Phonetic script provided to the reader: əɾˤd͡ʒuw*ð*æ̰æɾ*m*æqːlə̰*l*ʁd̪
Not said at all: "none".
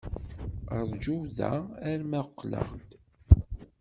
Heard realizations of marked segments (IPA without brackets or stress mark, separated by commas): ð, m, none